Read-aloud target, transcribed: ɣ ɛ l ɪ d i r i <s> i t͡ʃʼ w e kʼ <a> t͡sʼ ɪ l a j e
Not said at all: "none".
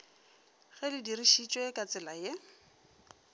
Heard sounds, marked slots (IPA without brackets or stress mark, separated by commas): ʃ, a